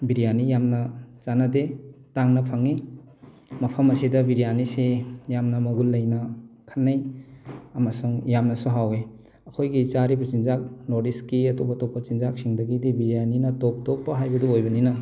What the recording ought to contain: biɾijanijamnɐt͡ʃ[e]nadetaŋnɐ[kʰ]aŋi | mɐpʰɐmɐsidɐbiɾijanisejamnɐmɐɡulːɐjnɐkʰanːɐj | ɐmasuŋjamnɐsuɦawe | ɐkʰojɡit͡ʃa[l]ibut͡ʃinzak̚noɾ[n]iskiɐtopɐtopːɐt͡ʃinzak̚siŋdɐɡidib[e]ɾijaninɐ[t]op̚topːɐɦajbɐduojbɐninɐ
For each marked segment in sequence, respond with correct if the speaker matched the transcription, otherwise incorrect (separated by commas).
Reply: incorrect, incorrect, incorrect, incorrect, incorrect, correct